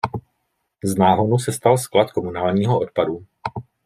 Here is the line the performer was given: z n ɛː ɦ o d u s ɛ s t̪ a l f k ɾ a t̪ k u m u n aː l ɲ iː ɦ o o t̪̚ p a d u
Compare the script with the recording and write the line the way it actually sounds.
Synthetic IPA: z n aː ɦ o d u s ɛ s t̪ a l s k l a t̪ k o m u n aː l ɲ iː ɦ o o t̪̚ p a d u